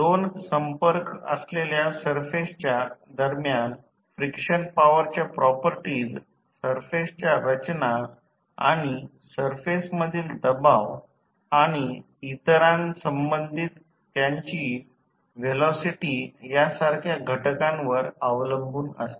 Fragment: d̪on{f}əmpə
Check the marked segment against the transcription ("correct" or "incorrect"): incorrect